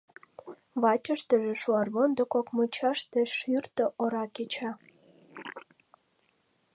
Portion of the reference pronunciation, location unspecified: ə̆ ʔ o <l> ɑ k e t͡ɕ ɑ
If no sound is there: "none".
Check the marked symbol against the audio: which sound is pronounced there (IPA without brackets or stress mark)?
ɾ